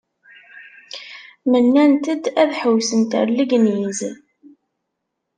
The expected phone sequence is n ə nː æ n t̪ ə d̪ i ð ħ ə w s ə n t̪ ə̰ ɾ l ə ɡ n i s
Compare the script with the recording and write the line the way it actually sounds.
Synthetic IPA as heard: m ə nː æ n t̪ ə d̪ æ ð ħ ə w s ə n t̪ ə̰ ɾ l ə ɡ n i z